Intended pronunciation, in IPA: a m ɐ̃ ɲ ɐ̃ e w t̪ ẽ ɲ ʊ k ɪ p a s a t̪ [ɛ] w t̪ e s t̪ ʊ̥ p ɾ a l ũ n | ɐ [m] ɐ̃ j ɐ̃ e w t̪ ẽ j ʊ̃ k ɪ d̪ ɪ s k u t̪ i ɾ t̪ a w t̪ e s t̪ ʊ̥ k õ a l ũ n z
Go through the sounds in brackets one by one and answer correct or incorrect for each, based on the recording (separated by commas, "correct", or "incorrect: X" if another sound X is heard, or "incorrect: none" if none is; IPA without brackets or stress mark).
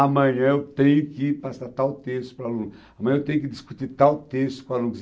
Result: incorrect: a, correct